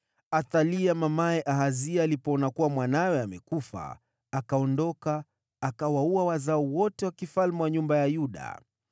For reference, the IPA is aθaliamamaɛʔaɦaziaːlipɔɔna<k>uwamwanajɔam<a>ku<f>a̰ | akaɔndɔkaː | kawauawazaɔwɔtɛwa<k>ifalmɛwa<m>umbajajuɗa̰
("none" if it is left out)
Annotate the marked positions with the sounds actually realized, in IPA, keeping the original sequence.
k, ɛ, f, k, ɲ

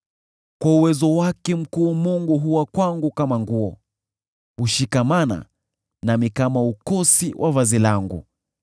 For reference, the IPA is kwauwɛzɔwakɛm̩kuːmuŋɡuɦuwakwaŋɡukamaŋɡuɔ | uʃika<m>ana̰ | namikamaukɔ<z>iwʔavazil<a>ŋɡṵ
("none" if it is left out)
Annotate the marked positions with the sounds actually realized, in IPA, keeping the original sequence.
m, s, a

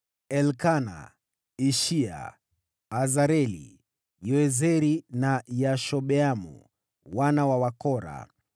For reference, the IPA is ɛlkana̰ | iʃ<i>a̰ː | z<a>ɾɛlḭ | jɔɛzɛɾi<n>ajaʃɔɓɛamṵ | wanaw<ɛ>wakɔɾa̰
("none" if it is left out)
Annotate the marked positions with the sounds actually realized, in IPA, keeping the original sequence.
i, a, n, a

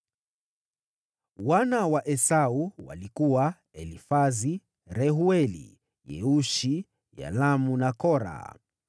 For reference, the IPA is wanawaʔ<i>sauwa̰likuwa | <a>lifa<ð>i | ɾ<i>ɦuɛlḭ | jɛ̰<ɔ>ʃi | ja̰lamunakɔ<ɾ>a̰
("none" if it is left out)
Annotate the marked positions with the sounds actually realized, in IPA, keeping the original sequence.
ɛ, ɛ, z, ɛ, u, ɾ

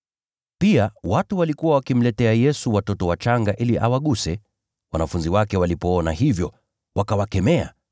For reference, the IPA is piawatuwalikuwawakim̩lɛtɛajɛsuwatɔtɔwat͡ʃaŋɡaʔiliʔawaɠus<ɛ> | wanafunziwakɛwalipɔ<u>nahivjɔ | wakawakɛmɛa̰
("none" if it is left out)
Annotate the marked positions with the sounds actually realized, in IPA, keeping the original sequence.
ɛ, ɔ

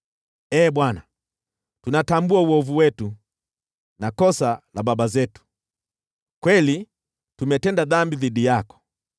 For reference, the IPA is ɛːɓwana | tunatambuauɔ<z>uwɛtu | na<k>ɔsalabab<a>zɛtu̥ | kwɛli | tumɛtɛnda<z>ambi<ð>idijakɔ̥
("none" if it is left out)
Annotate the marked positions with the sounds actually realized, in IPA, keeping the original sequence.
v, k, a, ð, ð

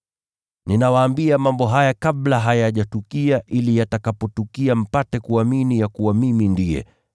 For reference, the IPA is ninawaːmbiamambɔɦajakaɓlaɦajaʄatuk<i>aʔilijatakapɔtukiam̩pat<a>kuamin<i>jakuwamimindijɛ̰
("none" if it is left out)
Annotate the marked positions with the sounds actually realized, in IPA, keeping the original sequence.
i, ɛ, i

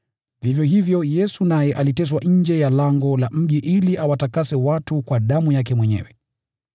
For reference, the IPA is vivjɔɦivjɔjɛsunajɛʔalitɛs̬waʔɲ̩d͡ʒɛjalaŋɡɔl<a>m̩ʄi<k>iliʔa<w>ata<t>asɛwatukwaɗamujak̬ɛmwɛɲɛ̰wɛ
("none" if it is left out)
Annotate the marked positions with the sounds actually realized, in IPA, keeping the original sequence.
a, ʔ, w, k

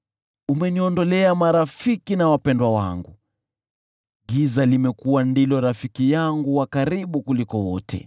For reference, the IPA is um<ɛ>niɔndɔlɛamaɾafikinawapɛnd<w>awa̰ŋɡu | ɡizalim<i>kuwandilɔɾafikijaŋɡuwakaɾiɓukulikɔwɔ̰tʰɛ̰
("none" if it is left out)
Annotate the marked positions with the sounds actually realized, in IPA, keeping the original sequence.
ɛ, w, ɛ

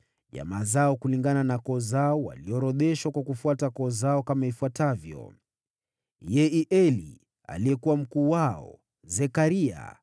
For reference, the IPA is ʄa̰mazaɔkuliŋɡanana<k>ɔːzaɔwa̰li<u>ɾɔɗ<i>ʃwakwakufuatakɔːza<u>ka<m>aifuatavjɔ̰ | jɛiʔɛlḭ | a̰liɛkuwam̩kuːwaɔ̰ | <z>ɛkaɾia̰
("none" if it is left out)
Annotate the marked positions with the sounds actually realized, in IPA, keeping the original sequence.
k, ɔ, ɛ, ɔ, m, z

